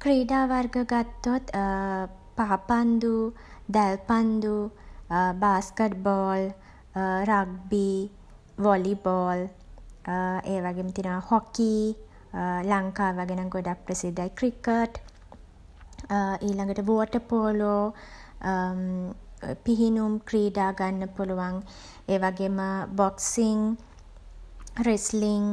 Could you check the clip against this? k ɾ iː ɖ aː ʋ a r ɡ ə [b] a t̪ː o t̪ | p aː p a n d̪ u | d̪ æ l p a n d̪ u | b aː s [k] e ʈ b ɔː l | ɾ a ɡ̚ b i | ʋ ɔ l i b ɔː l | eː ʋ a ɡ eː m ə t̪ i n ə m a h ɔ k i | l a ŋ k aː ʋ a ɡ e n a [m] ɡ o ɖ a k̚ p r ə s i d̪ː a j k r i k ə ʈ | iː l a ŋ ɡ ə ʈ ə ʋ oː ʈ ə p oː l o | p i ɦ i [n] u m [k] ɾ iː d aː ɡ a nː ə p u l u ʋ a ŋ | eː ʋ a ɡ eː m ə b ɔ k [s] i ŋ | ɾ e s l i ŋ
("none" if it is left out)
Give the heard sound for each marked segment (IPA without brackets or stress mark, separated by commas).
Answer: ɡ, k, ŋ, n, k, s